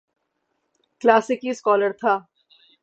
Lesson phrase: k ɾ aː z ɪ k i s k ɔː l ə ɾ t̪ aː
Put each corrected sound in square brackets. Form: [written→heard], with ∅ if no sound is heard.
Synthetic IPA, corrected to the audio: k [ɾ→l] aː [z→s] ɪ k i s k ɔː l ə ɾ [t̪→t̪ʰ] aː

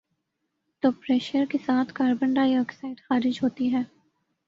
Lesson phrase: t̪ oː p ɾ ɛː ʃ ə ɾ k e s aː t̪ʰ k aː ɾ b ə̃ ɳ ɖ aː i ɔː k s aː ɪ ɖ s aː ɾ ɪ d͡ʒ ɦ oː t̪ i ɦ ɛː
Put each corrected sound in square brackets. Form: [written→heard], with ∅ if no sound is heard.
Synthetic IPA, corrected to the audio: t̪ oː p ɾ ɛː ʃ ə ɾ k e s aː t̪ʰ k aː ɾ b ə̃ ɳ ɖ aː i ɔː k s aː ɪ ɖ [s→x] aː ɾ ɪ d͡ʒ ɦ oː t̪ i ɦ ɛː

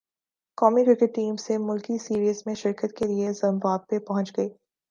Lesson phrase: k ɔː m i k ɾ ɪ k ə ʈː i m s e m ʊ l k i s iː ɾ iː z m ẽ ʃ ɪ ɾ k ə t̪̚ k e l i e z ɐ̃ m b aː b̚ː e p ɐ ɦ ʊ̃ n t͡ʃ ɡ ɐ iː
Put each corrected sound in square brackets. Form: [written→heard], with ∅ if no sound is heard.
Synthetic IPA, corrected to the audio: k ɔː m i k ɾ ɪ k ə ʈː [i→iː] m s e m ʊ l k i s iː ɾ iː z m ẽ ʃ ɪ ɾ k ə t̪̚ k e l i e z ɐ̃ m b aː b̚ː e p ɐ ɦ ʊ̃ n t͡ʃ ɡ ɐ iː

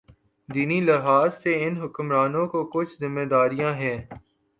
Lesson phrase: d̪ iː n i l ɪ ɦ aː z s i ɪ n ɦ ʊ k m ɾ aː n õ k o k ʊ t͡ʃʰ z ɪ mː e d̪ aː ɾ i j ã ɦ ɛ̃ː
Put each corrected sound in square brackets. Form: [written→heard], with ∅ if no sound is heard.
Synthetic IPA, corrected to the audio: d̪ iː n i l ɪ ɦ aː z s [i→e] ɪ n ɦ ʊ k m ɾ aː n õ k o k ʊ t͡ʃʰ z ɪ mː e d̪ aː ɾ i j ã ɦ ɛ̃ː

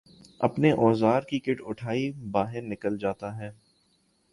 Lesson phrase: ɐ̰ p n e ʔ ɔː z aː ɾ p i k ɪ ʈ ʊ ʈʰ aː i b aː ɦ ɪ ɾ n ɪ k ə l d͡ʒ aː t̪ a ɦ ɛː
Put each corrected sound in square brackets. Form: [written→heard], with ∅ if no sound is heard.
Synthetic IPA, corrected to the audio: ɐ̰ p n e ʔ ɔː z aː ɾ [p→k] i k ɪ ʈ ʊ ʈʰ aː i b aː ɦ ɪ ɾ n ɪ k ə l d͡ʒ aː t̪ a ɦ ɛː

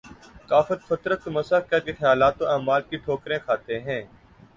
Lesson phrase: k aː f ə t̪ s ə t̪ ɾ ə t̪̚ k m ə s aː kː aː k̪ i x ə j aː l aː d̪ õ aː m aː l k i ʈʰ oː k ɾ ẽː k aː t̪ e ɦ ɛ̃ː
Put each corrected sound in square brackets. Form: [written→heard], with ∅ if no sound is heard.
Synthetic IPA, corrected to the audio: k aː f ə t̪ [s→f] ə t̪ ɾ ə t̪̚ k m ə s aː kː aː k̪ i x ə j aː l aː [d̪→t̪] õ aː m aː l k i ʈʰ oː k ɾ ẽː [k→kʰ] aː t̪ e ɦ ɛ̃ː

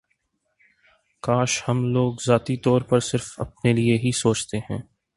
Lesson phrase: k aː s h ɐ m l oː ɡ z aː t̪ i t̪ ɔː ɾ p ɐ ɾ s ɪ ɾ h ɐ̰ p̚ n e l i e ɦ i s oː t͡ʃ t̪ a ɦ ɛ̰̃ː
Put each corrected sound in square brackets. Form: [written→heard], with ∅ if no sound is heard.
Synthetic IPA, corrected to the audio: k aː [s→ʃ] h ɐ m l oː ɡ z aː t̪ i t̪ ɔː ɾ p ɐ ɾ s ɪ ɾ [h→f] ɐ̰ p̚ n e l i e ɦ i s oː t͡ʃ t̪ [a→e] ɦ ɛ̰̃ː

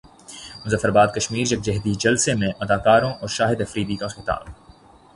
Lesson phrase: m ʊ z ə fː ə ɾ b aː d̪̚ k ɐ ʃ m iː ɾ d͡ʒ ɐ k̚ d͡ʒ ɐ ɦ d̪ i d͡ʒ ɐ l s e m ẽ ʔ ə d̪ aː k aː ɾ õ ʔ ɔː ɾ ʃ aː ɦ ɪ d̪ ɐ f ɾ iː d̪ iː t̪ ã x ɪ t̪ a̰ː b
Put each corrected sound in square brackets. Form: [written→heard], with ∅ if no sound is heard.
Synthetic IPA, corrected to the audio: m ʊ z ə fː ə ɾ b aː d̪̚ k ɐ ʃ m iː ɾ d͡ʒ ɐ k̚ d͡ʒ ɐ ɦ d̪ i d͡ʒ ɐ l s e m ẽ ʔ [ə→ɐ] d̪ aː k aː ɾ õ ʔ ɔː ɾ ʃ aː ɦ ɪ d̪ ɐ f ɾ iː d̪ iː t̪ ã x ɪ t̪ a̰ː b

